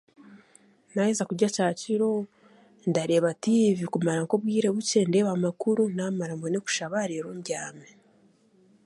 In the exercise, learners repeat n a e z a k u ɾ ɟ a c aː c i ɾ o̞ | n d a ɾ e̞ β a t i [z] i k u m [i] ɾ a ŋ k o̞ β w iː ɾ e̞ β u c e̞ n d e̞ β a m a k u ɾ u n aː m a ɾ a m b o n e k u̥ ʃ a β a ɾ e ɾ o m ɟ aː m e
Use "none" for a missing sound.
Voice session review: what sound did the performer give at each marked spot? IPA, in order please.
v, a

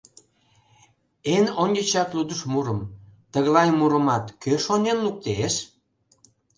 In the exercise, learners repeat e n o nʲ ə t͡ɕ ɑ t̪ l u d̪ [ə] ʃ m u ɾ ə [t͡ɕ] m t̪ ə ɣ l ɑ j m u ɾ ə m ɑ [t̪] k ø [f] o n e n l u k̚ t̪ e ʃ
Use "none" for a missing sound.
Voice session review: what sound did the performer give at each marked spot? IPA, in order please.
ə, none, t̪, ʃ

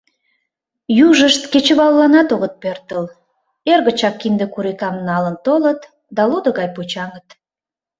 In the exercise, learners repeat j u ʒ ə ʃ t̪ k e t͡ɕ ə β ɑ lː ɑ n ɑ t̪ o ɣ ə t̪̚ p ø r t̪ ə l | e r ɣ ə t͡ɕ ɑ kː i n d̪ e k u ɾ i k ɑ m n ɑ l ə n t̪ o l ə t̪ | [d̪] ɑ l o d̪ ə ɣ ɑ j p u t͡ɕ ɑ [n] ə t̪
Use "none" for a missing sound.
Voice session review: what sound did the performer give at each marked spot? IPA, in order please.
d̪, ŋ

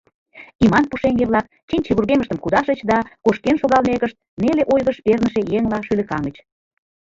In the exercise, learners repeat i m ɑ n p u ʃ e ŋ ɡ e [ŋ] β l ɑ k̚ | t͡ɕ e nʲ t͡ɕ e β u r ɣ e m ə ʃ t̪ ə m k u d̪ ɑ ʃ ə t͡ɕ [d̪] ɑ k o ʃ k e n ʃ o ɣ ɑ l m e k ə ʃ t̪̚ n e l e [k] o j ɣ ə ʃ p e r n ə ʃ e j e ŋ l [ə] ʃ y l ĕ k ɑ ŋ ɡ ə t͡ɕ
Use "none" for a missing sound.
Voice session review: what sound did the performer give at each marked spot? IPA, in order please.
none, d̪, ʔ, ɑ

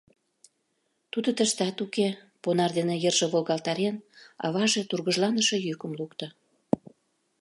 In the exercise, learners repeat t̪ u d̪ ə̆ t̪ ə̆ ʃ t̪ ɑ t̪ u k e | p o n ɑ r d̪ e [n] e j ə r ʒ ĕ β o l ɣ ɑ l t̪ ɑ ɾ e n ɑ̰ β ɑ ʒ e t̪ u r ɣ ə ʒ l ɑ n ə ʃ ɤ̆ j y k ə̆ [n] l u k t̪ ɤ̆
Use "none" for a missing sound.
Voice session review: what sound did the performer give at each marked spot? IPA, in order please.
n, m

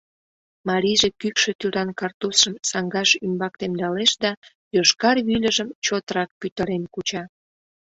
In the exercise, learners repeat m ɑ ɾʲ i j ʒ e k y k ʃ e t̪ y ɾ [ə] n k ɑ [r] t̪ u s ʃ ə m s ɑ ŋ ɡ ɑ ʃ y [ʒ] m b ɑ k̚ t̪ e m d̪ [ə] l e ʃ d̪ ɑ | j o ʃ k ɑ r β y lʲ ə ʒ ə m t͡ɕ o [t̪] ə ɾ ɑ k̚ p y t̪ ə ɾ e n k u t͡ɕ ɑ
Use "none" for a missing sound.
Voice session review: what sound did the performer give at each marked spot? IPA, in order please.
ɑ, r, none, ɑ, t̪

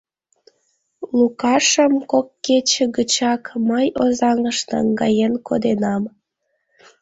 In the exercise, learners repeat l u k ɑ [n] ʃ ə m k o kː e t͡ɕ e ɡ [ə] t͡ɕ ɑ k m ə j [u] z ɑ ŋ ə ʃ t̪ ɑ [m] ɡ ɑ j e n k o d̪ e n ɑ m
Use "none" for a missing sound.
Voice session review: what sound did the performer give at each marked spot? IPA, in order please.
none, ə, o, ŋ

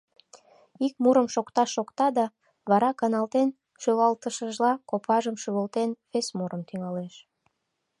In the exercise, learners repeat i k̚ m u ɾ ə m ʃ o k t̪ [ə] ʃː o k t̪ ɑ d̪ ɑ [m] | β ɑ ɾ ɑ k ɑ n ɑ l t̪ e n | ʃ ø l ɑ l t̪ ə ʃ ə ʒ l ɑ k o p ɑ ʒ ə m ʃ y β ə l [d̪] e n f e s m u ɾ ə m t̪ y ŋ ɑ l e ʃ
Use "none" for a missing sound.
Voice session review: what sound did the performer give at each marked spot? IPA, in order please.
ɑ, none, t̪

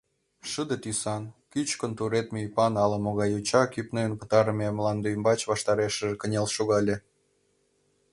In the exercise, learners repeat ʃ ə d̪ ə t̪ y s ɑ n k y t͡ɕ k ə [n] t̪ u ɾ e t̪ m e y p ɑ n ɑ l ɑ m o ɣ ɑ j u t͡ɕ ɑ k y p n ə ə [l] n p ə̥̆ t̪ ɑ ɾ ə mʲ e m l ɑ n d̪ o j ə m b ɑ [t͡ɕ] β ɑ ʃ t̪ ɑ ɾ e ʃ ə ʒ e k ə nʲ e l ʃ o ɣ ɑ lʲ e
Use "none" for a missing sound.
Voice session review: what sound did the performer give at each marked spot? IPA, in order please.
n, none, t͡ɕ

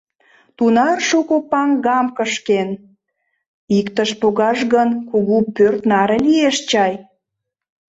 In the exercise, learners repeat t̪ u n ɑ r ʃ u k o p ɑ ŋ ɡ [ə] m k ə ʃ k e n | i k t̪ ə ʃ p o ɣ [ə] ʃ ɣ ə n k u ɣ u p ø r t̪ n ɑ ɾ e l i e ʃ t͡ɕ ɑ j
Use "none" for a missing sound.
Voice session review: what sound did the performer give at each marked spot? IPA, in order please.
ɑ, ɑ

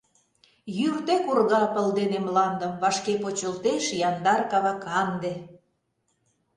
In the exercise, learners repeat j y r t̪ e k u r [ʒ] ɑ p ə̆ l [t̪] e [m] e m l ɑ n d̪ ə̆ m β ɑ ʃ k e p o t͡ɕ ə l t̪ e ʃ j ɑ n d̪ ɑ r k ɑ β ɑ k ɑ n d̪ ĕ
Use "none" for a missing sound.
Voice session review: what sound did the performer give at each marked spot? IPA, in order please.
ɣ, d̪, n

